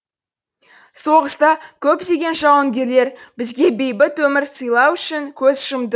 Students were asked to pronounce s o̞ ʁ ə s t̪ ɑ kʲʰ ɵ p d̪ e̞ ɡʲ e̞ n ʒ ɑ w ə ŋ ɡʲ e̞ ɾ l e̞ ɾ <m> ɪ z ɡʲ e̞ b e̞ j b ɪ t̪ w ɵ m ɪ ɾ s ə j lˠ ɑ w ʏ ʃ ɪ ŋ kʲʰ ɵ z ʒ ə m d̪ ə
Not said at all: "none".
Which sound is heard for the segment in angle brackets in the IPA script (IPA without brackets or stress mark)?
b